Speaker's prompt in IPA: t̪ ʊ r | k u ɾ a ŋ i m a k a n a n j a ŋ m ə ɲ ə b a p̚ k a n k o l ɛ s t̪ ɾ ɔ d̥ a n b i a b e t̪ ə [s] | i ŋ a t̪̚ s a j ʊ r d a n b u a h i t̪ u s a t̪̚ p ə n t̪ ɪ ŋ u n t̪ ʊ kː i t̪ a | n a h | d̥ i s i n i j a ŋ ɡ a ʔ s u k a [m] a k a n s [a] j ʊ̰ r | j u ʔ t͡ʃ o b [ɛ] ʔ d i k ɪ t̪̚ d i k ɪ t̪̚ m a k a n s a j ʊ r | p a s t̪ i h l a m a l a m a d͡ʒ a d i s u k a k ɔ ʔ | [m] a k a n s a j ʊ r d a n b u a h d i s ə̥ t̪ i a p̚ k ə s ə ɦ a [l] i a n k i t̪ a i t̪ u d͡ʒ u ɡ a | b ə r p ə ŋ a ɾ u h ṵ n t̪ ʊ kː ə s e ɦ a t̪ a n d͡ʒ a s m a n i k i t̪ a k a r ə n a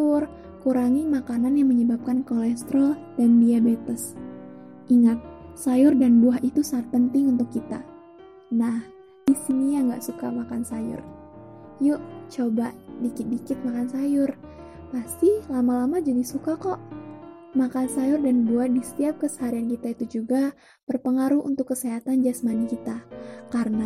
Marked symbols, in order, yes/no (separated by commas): yes, yes, yes, no, yes, no